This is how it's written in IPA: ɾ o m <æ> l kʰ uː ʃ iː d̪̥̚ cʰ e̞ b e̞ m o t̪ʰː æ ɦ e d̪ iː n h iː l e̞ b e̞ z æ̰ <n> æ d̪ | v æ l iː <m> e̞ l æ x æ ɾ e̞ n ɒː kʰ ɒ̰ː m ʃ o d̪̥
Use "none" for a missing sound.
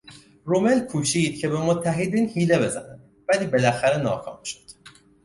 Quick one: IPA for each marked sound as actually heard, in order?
e, n, b

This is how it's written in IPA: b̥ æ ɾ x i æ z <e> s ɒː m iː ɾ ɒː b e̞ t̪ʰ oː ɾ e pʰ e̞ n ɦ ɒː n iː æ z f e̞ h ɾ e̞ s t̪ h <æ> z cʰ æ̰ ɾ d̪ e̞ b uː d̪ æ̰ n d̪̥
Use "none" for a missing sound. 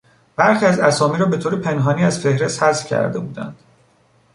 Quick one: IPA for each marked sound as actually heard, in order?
æ, æ

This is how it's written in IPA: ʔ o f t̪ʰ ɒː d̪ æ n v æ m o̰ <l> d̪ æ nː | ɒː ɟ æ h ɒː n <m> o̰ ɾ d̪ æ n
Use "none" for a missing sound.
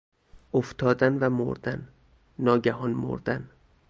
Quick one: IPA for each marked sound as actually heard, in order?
ɾ, m

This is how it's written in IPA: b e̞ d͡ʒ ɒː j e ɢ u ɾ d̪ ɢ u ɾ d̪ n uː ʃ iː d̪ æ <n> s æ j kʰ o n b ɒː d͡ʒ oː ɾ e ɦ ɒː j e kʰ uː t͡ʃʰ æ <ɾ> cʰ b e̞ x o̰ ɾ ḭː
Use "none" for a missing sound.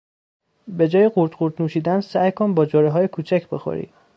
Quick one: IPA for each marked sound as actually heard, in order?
n, none

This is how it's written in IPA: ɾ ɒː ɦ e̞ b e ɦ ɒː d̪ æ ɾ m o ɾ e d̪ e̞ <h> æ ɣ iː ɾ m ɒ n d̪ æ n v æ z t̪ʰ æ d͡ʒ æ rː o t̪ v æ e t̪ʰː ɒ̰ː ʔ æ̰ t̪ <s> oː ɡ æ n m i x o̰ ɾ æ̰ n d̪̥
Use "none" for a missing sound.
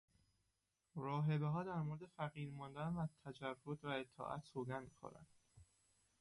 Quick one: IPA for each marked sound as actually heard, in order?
f, s

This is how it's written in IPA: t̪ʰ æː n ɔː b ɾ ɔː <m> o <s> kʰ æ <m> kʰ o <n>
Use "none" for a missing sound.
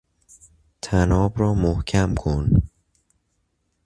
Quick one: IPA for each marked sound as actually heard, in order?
m, h, m, n

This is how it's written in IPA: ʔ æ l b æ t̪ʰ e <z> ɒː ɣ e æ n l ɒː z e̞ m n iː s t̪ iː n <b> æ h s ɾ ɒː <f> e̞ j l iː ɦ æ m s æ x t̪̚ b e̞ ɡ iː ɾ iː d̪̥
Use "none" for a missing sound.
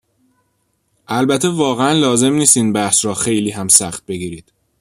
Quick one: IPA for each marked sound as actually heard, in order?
v, b, x

